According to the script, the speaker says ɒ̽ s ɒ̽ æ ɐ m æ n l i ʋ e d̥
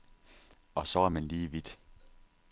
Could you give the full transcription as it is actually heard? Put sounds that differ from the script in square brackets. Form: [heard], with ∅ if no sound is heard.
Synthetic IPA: ɒ̽ s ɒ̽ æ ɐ m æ n l [iː] ʋ [i] d̥